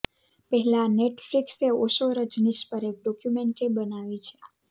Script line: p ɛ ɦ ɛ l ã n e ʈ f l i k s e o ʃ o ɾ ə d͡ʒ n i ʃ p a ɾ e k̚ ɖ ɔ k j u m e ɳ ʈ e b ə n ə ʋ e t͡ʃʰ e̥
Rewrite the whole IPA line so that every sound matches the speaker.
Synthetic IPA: p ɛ ɦ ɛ l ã n e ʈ f l i k s e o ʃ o ɾ ə d͡ʒ n i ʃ p ə ɾ e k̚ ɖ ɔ k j u m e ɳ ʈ e b ə n a ʋ i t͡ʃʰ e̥